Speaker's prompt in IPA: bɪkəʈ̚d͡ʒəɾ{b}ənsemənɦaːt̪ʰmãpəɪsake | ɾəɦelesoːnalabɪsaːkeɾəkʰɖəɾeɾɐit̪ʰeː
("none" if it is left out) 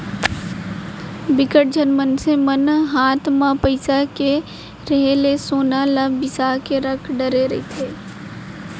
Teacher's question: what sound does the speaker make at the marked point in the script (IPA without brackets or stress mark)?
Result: m